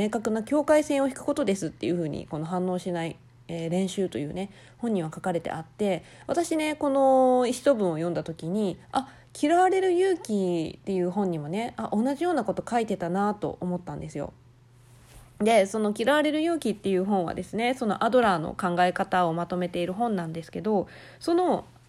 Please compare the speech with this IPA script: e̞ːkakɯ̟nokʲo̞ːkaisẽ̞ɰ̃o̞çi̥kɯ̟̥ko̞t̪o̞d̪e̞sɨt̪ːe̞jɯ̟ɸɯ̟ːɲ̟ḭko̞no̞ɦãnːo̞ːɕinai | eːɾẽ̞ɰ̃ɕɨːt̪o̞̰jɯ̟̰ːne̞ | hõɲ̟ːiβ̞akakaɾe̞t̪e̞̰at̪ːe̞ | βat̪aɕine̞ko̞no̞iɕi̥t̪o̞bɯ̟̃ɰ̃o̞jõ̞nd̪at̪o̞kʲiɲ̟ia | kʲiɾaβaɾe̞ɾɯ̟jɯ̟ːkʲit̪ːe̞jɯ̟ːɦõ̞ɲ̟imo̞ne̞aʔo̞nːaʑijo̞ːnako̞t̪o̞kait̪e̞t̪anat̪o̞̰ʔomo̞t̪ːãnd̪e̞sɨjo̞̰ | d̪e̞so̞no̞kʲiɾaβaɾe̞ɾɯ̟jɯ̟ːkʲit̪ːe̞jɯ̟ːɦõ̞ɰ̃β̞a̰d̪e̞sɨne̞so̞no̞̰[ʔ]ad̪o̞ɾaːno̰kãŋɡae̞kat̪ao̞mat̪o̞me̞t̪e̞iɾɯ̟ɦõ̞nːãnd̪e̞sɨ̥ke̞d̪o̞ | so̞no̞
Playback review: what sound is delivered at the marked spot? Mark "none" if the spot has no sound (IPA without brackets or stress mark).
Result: ʔ